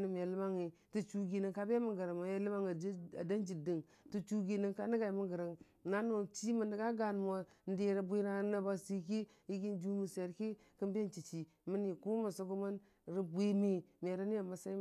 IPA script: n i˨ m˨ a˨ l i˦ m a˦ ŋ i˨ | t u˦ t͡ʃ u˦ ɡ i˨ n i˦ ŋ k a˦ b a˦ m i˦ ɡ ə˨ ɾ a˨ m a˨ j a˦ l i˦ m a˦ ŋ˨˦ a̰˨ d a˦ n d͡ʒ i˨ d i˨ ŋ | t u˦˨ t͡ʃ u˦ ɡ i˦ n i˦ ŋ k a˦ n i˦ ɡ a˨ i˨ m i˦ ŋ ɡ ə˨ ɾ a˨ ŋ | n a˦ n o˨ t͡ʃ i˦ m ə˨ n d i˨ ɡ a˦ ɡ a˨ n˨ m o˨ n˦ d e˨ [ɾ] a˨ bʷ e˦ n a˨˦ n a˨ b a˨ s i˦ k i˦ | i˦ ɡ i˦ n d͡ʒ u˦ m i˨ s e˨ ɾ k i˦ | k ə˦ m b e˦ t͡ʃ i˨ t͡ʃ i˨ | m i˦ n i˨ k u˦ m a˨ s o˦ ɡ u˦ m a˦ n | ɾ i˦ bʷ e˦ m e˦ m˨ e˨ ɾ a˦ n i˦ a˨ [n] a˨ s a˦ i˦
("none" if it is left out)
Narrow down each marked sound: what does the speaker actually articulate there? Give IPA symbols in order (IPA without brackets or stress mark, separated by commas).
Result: ɾ, m